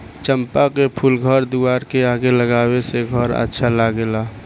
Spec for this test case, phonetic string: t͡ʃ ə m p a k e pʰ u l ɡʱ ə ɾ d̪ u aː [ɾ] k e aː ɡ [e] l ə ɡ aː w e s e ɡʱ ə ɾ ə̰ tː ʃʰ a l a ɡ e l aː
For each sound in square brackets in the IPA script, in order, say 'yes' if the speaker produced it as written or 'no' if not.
yes, yes

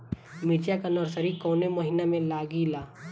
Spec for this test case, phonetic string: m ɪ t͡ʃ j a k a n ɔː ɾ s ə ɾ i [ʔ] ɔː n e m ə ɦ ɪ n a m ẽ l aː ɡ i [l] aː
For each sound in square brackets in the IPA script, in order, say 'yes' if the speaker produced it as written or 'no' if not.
no, yes

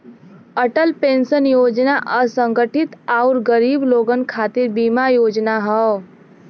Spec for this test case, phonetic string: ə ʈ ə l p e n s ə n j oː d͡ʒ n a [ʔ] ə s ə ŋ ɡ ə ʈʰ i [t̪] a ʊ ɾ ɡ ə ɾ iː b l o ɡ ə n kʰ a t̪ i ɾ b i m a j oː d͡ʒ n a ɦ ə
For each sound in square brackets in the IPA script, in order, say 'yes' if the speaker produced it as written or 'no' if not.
yes, yes

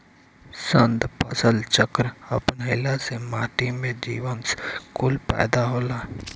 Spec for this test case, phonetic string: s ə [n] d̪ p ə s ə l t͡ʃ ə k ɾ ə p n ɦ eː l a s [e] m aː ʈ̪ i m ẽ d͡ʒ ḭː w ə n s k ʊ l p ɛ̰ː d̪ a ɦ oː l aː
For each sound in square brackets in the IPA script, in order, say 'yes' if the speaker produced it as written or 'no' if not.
yes, yes

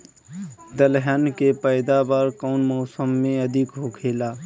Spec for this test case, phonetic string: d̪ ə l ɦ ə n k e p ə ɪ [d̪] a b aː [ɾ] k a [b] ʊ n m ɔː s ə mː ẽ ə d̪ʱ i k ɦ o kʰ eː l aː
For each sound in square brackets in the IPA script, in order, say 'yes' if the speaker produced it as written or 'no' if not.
yes, yes, no

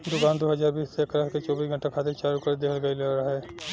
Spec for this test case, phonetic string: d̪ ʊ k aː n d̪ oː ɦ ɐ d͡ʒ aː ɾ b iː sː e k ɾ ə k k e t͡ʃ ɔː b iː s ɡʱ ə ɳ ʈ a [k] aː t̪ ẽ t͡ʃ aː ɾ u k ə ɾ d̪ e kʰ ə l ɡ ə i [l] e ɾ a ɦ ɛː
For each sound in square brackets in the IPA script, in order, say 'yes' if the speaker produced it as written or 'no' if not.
no, yes

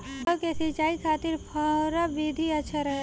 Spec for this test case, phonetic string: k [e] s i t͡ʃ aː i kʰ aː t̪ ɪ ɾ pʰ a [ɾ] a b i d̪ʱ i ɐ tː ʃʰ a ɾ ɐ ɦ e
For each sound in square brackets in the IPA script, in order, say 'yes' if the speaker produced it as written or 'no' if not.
yes, yes

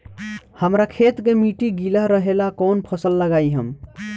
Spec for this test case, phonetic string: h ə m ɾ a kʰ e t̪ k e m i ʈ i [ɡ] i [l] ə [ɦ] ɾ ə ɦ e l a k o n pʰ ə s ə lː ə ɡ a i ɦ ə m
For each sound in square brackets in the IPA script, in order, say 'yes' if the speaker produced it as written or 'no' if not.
yes, yes, yes

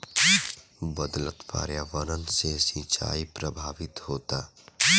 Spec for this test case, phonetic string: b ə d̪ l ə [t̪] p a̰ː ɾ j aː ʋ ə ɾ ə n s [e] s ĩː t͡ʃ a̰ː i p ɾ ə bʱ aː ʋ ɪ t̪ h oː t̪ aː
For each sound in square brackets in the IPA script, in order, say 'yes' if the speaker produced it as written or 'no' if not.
yes, yes

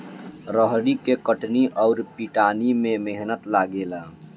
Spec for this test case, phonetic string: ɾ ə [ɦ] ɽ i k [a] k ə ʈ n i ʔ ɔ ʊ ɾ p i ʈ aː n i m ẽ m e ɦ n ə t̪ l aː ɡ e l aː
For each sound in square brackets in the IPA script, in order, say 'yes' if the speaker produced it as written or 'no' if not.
yes, no

